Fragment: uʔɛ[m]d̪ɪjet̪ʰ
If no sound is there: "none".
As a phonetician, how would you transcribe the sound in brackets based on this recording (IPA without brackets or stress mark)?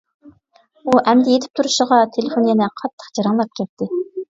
m